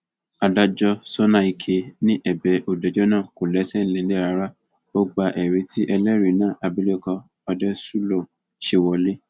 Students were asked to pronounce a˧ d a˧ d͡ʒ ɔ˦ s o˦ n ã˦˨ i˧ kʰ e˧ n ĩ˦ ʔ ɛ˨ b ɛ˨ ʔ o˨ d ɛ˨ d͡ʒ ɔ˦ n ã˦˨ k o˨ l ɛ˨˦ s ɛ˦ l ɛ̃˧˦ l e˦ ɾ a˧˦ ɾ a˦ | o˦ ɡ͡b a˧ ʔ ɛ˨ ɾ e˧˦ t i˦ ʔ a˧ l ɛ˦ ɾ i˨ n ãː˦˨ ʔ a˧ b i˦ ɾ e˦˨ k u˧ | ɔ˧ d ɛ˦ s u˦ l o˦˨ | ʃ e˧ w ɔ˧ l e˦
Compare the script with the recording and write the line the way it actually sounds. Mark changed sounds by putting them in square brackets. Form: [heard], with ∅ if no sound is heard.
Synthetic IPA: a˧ d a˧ d͡ʒ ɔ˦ s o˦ n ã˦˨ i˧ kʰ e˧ n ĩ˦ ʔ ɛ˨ b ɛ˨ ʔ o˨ d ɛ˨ d͡ʒ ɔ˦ n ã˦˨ k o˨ l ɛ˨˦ s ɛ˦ l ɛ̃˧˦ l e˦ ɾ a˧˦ ɾ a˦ | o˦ ɡ͡b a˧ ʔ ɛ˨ ɾ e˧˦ t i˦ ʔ [ɛ˧] l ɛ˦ ɾ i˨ n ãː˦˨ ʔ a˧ b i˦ [l] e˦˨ k [ɔ˧] | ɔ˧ d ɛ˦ s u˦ l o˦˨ | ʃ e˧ w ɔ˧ l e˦